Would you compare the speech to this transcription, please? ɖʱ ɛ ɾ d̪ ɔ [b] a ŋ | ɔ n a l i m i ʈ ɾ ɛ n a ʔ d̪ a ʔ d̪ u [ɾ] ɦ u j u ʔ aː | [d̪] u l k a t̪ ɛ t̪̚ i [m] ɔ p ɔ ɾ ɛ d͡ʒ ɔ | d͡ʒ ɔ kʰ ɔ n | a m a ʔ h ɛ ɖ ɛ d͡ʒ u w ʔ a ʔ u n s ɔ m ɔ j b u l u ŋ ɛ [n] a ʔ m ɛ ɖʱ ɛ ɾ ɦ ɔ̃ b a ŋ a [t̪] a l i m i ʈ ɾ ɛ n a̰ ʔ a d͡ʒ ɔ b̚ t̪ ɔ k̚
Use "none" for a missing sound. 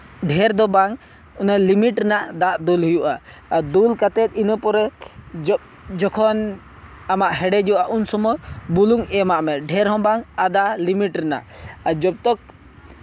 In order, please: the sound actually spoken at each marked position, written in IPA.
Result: b, l, d̪, n, m, d̪

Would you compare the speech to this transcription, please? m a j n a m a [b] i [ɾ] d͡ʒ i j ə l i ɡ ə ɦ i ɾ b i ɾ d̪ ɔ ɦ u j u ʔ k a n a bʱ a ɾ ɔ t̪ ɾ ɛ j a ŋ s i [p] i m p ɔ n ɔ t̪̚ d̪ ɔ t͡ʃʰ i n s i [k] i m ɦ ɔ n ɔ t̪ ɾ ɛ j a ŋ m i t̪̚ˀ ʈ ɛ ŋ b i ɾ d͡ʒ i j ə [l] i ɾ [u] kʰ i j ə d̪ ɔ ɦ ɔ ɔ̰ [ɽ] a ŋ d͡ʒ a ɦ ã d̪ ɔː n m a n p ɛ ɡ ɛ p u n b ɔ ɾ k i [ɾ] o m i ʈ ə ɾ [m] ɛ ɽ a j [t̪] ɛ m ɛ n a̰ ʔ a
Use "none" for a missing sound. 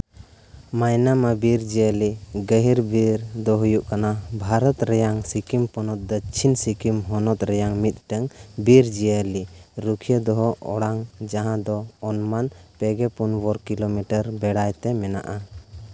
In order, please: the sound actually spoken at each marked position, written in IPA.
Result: b, ɾ, k, k, l, u, ɽ, l, b, t̪

